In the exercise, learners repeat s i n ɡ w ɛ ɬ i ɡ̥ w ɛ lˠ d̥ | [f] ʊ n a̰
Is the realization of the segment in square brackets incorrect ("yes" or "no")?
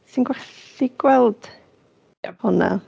yes